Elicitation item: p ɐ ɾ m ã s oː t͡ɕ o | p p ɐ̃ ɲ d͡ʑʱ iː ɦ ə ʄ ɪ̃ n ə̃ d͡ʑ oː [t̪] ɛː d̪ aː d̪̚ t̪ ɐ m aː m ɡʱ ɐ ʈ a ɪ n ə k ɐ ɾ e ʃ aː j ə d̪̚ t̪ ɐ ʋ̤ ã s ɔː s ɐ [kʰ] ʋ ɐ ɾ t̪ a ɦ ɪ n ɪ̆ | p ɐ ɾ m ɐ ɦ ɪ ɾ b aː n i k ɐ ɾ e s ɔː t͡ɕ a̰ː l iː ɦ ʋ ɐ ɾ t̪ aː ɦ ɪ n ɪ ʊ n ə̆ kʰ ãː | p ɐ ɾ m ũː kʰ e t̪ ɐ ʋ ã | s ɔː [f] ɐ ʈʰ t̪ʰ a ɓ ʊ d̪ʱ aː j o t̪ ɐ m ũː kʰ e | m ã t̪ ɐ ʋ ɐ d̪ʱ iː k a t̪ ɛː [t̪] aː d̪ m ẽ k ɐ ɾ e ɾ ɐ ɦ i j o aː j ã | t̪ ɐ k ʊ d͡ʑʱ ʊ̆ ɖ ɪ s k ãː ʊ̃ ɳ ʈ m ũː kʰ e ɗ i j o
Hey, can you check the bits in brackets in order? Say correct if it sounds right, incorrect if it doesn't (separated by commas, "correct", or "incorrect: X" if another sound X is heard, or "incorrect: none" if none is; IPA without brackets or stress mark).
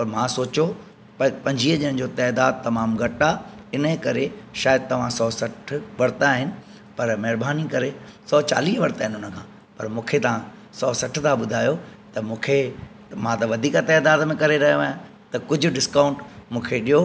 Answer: correct, incorrect: ʈʰ, incorrect: s, incorrect: d̪